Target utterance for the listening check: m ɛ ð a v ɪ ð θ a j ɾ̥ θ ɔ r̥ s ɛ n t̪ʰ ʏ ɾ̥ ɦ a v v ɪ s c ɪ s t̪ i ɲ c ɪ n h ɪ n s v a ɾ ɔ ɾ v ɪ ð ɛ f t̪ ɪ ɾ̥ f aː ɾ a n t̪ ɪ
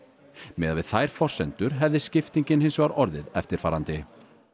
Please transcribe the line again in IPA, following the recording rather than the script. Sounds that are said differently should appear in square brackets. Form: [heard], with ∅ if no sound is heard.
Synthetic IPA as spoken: m ɛ ð a v ɪ ð θ a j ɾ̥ [f] ɔ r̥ s ɛ n [t̪] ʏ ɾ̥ ɦ [ɛ] v [ð] ɪ s c ɪ [f] t̪ i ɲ c ɪ n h ɪ n s v a ɾ ɔ ɾ [ð] ɪ ð ɛ f t̪ ɪ ɾ̥ f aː ɾ a n t̪ ɪ